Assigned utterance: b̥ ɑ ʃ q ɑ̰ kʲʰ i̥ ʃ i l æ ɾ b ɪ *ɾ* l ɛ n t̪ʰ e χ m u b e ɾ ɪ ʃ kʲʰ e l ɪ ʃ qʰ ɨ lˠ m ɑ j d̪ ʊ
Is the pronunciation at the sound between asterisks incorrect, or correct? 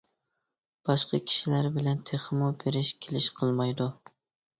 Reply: incorrect